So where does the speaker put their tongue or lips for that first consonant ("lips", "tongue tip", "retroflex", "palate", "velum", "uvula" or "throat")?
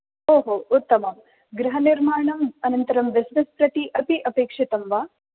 throat